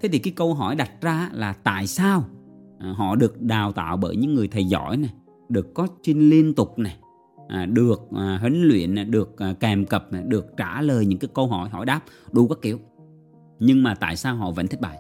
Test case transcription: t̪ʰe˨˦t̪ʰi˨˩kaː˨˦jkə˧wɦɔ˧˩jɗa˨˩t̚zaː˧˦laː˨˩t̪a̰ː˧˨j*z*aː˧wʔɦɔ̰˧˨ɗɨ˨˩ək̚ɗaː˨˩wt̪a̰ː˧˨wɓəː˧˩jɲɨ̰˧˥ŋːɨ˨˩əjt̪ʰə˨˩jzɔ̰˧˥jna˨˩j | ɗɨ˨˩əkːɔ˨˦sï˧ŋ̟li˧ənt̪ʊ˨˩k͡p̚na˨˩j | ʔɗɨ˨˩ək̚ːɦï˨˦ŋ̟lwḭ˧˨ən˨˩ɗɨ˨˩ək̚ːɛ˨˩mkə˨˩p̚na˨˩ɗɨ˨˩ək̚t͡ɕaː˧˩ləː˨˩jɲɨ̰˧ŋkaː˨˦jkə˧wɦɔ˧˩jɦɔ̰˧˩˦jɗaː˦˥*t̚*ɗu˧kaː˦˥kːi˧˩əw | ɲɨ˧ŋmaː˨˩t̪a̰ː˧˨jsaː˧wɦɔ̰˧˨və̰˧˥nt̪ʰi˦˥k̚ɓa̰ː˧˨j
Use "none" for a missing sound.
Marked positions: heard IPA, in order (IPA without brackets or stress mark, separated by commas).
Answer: s, p̚